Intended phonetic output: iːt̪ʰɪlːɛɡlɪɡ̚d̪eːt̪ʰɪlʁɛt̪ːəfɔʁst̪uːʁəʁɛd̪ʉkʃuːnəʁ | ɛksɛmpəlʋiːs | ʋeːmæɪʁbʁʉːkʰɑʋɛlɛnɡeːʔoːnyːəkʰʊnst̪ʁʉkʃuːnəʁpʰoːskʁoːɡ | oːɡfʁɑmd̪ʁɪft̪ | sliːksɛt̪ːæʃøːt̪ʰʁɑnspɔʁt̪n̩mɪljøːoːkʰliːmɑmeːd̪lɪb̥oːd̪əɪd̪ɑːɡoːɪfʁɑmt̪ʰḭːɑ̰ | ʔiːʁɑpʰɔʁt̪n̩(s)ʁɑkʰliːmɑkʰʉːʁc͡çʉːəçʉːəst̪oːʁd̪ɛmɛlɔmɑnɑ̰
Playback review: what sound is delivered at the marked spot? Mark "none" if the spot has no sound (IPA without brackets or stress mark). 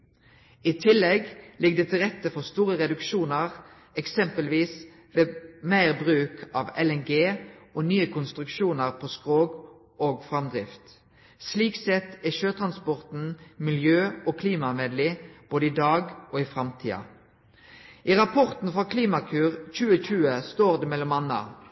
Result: f